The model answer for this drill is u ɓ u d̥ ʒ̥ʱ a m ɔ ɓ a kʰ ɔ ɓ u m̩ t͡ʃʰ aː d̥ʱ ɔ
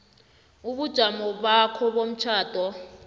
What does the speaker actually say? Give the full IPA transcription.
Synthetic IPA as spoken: u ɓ u d̥ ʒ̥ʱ a m ɔ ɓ a kʰ ɔ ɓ o m̩ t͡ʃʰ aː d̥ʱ ɔ